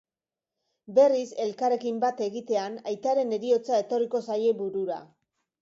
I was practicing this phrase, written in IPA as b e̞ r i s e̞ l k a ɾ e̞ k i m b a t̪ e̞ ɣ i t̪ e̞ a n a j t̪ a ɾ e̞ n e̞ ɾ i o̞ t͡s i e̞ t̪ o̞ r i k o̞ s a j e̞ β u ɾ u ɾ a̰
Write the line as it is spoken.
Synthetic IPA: b e̞ r i s e̞ l k a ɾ e̞ k i m b a t̪ e̞ ɣ i t̪ e̞ a n a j t̪ a ɾ e̞ n e̞ ɾ i o̞ t͡s a e̞ t̪ o̞ r i k o̞ s a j e̞ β u ɾ u ɾ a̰